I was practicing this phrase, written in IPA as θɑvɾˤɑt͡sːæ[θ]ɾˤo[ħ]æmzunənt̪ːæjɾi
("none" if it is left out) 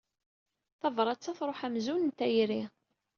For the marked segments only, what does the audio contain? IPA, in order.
θ, ħ

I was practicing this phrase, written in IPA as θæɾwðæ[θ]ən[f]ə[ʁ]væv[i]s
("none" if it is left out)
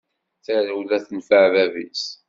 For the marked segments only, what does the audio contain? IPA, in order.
θ, f, ʕ, i

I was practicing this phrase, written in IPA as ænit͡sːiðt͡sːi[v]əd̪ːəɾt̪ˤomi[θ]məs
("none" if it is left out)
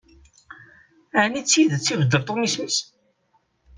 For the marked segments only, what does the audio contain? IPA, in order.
v, s

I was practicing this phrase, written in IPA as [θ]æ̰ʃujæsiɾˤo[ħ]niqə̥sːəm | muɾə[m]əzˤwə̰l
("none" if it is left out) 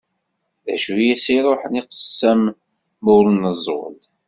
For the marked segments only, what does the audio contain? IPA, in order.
ð, ħ, n

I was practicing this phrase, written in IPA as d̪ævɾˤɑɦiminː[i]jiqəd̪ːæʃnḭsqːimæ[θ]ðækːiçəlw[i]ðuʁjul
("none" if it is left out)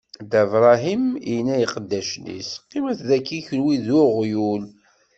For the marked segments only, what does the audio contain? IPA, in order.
æ, θ, i

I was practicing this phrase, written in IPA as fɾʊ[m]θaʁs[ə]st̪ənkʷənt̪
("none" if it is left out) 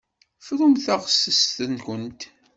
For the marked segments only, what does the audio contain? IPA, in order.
m, ə

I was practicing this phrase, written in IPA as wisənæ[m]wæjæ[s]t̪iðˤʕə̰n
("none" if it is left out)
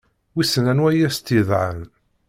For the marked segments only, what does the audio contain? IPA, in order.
n, s

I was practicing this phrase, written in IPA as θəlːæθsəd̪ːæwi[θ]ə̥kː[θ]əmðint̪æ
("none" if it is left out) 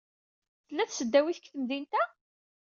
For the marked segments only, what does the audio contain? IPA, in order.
θ, θ

